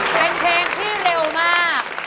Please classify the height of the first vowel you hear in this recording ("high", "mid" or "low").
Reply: mid